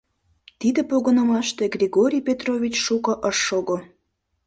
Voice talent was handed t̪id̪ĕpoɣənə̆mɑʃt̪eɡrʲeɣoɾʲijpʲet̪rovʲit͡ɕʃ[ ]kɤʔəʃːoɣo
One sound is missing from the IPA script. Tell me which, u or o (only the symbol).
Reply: u